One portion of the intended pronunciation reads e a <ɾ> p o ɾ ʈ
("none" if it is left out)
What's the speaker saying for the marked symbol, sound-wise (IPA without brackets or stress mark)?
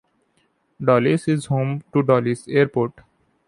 ɾ